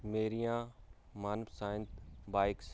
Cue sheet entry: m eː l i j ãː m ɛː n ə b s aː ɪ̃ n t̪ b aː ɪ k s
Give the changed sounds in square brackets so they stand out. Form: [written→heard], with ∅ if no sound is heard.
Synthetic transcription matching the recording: m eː [l→ɾ] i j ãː m [ɛː→aː] n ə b s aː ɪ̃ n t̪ b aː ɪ k s

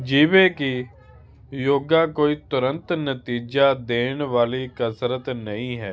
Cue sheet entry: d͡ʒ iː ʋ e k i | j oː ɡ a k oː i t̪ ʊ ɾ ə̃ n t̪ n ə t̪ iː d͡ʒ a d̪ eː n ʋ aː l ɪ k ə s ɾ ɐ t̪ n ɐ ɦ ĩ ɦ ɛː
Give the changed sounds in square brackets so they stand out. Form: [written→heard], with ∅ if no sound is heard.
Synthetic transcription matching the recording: d͡ʒ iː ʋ e k i | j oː ɡ a k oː i t̪ ʊ ɾ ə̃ n t̪ n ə t̪ iː d͡ʒ a d̪ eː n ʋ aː l [ɪ→i] k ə s ɾ [ɐ→ə] t̪ n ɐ ɦ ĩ ɦ ɛː

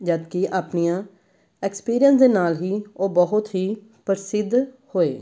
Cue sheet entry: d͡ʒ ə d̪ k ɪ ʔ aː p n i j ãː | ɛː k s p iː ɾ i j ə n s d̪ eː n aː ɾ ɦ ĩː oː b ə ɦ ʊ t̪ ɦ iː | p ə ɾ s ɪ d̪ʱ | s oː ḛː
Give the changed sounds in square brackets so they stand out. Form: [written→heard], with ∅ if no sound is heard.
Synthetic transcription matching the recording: d͡ʒ ə d̪ k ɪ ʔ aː p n i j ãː | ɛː k s p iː ɾ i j ə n s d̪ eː n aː [ɾ→l] ɦ [ĩː→iː] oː b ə ɦ ʊ t̪ ɦ iː | p ə ɾ s ɪ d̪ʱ | [s→h] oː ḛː

